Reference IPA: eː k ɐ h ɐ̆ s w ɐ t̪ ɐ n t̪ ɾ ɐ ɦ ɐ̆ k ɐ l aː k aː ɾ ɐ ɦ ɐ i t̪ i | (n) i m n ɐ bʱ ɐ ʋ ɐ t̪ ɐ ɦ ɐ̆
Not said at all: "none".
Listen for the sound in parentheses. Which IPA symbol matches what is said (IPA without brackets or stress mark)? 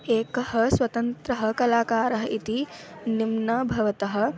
n